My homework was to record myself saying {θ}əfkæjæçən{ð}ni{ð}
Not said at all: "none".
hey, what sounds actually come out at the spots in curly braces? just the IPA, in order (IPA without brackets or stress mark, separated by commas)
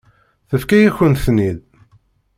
θ, θ, ð